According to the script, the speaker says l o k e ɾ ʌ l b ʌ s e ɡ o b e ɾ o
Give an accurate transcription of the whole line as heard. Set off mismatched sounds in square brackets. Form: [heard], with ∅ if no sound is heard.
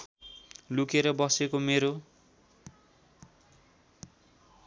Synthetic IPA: l [u] k e ɾ ʌ [∅] b ʌ s e [k] o [m] e ɾ o